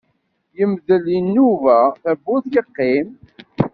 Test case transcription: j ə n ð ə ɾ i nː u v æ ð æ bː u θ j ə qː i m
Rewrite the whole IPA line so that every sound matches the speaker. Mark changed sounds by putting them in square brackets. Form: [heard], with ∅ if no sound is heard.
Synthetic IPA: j ə [m] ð ə [l] i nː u v æ [θ] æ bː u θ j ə qː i m